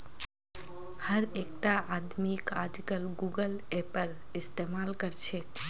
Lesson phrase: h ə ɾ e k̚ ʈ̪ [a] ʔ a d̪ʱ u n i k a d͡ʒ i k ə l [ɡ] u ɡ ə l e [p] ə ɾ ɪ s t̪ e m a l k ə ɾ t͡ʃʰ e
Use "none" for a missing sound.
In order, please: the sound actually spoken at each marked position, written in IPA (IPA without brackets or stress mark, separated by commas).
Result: a, ɡ, p